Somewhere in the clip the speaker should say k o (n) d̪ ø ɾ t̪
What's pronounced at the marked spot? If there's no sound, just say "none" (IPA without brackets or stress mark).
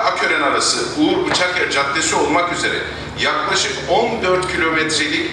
n